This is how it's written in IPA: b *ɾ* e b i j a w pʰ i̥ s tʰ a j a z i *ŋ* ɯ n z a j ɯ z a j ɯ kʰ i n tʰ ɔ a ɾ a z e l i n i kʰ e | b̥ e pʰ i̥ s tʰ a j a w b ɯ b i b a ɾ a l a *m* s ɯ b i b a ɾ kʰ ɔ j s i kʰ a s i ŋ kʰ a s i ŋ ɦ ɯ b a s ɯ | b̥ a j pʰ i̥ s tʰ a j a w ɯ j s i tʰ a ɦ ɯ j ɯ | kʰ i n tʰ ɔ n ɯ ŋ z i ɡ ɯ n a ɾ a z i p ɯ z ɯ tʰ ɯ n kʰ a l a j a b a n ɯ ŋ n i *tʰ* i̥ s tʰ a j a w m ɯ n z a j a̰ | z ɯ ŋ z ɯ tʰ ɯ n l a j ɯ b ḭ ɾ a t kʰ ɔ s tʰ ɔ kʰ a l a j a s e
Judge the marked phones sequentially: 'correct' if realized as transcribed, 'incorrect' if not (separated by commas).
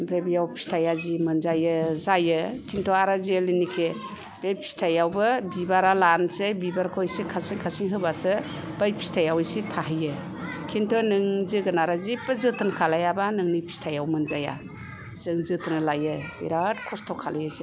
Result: correct, incorrect, incorrect, incorrect